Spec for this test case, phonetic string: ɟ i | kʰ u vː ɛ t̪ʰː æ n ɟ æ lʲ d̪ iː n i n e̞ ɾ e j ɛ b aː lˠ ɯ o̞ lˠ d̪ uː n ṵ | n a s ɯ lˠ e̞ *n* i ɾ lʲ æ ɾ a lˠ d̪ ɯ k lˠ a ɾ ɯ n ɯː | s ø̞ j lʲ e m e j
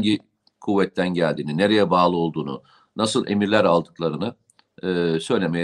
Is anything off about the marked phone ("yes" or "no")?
yes